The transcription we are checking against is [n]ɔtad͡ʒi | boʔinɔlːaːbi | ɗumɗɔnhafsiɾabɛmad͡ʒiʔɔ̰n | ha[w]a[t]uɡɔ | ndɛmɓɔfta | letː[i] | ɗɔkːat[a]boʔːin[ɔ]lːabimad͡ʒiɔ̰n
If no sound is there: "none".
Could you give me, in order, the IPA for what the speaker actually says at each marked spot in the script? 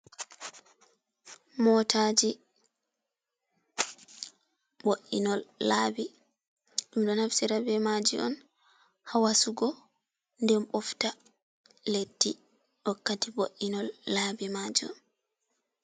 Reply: m, w, s, i, i, ɔ

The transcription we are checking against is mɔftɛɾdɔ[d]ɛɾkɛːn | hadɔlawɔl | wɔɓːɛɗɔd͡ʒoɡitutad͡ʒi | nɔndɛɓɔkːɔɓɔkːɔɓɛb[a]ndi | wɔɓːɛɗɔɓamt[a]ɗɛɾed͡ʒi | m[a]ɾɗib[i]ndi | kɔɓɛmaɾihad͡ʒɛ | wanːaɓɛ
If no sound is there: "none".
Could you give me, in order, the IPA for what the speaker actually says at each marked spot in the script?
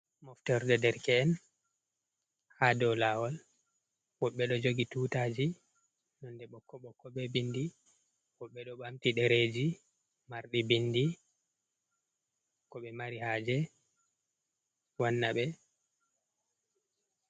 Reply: d, i, i, a, i

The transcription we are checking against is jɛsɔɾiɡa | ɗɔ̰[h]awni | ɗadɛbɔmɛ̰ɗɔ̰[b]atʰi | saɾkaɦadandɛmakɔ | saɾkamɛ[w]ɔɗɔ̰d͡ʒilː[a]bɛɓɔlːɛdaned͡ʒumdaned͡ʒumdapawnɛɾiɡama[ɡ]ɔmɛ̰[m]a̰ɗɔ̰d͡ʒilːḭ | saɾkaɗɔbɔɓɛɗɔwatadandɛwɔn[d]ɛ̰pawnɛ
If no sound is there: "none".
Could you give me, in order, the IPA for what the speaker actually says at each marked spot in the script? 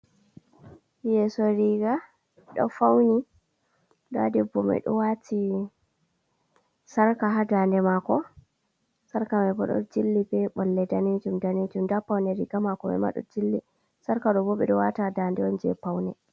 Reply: f, w, b, i, k, m, d͡ʒ

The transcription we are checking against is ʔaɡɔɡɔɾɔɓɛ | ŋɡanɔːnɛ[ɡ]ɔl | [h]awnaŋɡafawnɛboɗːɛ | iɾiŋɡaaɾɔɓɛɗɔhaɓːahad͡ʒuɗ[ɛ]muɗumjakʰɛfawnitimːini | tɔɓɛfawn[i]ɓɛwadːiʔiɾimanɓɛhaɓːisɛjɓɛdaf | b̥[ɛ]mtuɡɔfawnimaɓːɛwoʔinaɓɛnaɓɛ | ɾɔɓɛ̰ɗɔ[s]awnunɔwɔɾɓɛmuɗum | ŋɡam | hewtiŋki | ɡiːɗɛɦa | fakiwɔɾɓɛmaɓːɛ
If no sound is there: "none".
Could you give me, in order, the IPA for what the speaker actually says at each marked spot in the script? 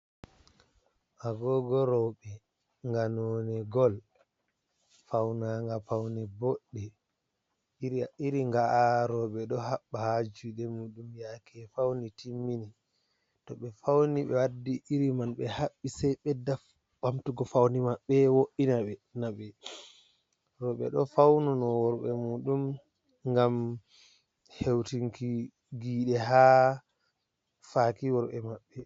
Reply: ɡ, f, ɛ, i, a, f

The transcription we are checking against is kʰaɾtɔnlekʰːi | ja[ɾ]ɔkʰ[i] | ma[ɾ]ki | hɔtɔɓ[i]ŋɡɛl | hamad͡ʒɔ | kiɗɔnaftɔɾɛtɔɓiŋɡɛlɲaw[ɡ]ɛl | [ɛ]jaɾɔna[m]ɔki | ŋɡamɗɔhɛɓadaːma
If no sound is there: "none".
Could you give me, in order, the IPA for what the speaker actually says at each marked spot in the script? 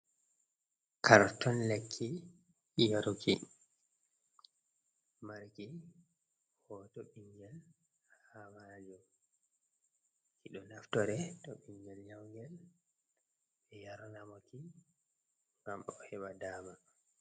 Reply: ɾ, i, ɾ, i, ɡ, ɛ, m

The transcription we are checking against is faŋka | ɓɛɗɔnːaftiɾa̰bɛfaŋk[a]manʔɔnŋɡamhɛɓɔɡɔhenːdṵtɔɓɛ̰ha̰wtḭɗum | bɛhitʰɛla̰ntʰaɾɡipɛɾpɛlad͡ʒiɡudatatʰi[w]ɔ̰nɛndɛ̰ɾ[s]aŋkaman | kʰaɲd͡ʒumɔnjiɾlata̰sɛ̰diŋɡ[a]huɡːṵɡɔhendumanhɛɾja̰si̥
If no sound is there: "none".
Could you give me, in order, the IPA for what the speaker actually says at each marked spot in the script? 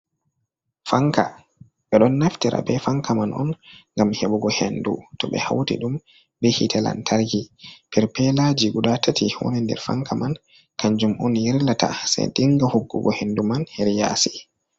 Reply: a, w, f, a

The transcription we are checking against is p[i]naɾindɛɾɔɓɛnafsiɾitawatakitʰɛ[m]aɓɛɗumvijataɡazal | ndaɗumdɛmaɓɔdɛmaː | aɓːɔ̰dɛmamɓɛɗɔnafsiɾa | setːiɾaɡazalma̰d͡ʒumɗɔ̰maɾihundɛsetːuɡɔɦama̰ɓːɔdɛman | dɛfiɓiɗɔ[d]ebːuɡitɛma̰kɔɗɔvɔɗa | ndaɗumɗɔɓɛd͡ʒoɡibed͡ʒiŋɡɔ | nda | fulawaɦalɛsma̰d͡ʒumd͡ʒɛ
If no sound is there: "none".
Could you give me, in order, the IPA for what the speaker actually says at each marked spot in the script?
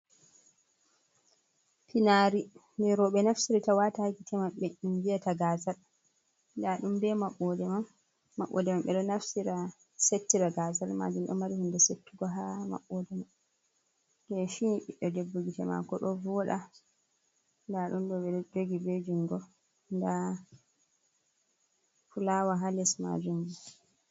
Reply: i, m, d

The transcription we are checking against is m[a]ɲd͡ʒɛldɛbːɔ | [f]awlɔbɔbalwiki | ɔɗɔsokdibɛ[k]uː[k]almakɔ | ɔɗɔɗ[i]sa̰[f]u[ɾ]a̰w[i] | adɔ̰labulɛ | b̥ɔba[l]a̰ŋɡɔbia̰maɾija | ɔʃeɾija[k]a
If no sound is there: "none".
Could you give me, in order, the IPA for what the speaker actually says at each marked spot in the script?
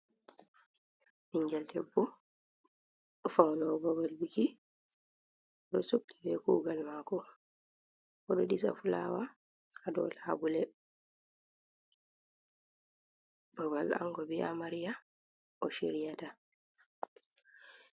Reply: i, f, k, ɡ, i, f, l, a, l, t

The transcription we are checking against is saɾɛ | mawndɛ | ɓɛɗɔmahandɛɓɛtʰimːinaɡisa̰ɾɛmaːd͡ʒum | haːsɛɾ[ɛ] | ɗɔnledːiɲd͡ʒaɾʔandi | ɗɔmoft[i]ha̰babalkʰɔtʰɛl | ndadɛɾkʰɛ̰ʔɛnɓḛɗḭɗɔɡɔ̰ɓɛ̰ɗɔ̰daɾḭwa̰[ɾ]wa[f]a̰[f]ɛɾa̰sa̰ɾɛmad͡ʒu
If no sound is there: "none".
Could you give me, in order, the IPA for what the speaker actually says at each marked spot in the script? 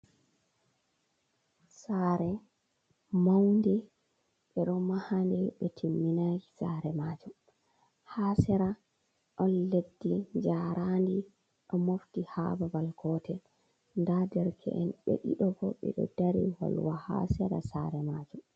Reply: a, i, l, h, s

